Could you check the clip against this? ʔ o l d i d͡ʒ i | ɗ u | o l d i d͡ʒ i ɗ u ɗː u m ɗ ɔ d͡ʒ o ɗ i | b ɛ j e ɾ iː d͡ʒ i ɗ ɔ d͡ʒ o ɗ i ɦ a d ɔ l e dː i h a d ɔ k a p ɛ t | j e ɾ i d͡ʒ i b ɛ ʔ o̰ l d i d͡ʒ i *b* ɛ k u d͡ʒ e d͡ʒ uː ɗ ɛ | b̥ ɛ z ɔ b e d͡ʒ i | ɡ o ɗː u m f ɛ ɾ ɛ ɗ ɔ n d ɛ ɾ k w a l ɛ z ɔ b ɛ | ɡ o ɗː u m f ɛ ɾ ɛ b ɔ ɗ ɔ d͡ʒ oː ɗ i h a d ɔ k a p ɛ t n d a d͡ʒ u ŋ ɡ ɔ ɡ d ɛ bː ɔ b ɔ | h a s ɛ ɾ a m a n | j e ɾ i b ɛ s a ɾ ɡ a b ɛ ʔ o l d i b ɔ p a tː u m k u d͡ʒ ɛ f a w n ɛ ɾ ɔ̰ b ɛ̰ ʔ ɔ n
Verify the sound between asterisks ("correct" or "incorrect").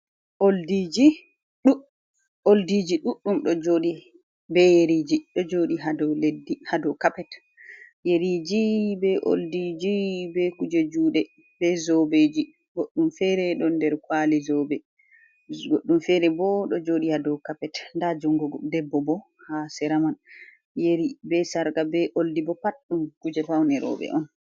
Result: correct